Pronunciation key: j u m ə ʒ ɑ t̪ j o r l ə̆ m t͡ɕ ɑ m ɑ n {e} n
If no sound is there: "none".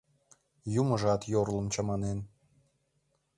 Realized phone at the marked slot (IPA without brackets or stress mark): e